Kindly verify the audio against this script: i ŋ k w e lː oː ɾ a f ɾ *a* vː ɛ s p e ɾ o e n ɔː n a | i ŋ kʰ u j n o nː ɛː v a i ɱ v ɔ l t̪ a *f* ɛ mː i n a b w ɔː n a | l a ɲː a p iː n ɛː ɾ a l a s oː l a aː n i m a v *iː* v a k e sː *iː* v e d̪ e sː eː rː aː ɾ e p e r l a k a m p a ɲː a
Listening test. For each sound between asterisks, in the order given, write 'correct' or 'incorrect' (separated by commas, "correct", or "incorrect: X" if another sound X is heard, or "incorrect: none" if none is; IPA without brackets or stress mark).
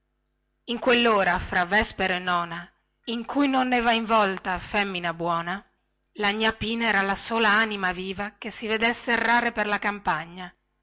correct, correct, correct, incorrect: i